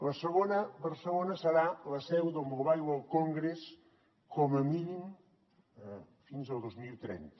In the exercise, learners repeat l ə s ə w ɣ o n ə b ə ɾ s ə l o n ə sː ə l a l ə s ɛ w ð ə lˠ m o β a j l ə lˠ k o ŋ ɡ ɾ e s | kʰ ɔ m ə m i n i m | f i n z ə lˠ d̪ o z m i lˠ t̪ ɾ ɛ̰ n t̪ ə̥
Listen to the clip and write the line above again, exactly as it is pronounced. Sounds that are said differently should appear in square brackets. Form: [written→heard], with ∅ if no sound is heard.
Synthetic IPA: l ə s ə [w→∅] ɣ o n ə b ə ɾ s ə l o n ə [sː→s] ə [l→ɾ] a l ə s ɛ w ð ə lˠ m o β a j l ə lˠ k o ŋ ɡ ɾ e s | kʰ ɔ m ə m i n i m | f i n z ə lˠ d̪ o z m i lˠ t̪ ɾ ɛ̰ n t̪ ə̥